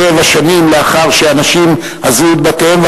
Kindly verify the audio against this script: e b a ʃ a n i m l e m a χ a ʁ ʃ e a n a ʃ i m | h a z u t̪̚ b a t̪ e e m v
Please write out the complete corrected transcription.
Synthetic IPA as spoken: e v a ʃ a n i m l e a χ a ʁ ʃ e a n a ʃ i m | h a z u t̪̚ b a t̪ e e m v